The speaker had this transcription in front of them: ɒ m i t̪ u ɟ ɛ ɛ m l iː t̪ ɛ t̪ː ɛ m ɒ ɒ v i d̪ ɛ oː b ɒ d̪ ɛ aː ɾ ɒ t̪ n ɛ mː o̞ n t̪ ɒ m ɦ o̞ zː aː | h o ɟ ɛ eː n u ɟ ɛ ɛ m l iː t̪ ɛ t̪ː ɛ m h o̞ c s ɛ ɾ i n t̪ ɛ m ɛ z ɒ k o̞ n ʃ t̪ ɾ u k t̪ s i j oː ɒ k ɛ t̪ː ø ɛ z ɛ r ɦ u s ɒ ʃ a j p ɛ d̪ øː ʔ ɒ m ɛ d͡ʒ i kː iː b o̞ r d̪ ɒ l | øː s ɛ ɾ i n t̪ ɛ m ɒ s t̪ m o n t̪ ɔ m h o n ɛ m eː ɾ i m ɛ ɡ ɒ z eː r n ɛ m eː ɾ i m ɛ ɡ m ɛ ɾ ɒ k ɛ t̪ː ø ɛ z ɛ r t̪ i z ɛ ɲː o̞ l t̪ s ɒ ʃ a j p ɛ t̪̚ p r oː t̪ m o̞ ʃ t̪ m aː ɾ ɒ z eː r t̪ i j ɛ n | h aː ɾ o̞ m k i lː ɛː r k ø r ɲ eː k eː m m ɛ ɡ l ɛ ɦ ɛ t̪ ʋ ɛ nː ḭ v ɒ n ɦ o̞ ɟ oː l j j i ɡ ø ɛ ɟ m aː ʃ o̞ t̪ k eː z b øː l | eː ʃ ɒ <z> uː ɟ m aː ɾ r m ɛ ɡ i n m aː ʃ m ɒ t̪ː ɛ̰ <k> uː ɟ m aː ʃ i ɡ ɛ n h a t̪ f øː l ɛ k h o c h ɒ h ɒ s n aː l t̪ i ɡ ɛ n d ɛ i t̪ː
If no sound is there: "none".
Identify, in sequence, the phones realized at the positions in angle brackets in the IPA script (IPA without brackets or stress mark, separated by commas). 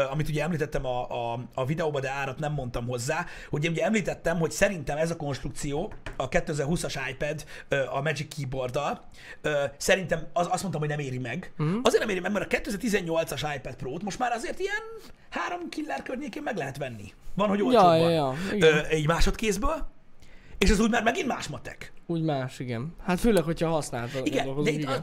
z, k